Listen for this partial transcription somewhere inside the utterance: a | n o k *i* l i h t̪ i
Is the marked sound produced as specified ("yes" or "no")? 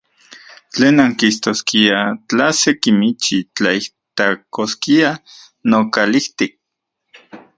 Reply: no